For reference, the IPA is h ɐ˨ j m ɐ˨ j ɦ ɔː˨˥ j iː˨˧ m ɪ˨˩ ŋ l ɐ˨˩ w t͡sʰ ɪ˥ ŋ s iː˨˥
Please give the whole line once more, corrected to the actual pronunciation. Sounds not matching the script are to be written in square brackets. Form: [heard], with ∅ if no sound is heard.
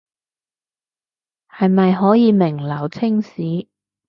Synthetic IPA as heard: h ɐ˨ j m ɐ˨ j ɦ ɔː˨˥ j iː˨˧ m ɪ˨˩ ŋ l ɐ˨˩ w t͡sʰ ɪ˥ ŋ s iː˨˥